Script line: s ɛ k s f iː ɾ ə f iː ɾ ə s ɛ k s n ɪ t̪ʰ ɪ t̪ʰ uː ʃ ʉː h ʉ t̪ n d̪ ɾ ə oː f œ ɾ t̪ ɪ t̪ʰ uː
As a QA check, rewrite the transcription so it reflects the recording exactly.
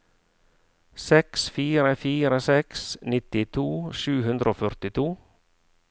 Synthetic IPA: s ɛ k s f iː ɾ ə f iː ɾ ə s ɛ k s n ɪ t̪ ɪ t̪ʰ uː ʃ ʉː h ʉ n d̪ ɾ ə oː f œ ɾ t̪ ɪ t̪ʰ uː